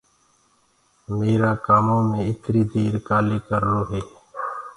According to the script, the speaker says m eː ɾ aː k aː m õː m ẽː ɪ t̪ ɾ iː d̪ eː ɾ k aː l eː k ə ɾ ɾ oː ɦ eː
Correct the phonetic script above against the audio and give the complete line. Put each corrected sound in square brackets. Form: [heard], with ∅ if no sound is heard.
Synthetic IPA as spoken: m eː ɾ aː k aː m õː m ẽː ɪ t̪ ɾ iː d̪ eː ɾ k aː l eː k ə ɾ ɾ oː ɦ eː